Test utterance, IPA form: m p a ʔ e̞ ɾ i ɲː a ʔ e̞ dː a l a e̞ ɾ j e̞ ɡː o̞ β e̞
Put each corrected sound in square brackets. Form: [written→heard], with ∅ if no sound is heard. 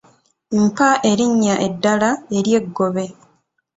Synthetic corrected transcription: m p a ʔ e̞ ɾ i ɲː a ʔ e̞ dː a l a e̞ ɾ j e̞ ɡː o̞ β e̞